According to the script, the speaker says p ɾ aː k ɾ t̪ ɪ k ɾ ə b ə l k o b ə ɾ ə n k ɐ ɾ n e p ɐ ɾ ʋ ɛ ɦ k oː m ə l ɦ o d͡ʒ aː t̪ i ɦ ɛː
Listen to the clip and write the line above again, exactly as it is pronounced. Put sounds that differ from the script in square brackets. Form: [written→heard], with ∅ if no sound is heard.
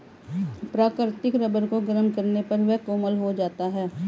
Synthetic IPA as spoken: p ɾ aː k ɾ t̪ ɪ k ɾ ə b ə [l→ɾ] k o [b→ɡ] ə ɾ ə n k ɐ ɾ n e p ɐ ɾ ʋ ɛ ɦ k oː m ə l ɦ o d͡ʒ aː t̪ [i→a] ɦ ɛː